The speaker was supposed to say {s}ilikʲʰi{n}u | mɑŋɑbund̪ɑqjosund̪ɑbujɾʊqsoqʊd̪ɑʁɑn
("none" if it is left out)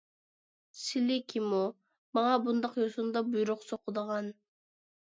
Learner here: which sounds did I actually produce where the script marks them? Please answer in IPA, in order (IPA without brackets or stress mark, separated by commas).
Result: s, m